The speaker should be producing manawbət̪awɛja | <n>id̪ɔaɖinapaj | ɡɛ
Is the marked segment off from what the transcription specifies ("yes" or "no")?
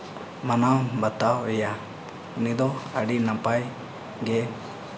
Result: no